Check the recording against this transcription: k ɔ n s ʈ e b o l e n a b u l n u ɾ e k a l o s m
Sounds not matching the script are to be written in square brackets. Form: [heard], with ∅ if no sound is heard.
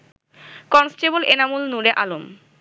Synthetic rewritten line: k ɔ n s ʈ e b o l e n a [m] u l n u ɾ e [ʔ] a l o [∅] m